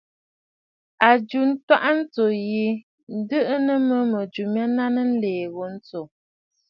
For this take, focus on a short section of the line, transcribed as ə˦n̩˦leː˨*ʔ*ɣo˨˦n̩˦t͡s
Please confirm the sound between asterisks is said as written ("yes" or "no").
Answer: no